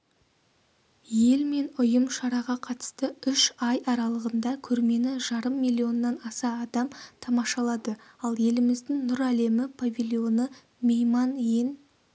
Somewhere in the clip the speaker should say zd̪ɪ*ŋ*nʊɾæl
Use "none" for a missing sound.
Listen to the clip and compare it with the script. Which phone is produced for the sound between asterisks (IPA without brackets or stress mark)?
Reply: ŋ